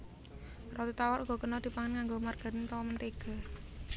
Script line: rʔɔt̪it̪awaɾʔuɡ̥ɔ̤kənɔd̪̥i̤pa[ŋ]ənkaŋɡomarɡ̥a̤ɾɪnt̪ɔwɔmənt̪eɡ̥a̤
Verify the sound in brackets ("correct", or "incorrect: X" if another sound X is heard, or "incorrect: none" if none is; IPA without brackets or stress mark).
correct